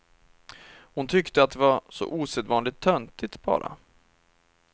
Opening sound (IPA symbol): h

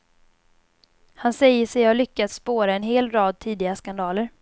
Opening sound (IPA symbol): h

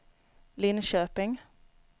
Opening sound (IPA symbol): l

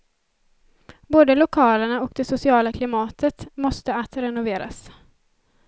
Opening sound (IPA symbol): b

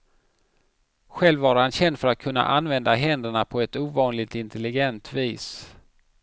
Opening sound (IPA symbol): ɧ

